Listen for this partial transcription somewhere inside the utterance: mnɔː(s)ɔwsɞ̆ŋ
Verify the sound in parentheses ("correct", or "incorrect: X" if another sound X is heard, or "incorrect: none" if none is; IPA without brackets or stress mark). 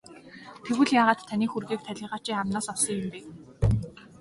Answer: correct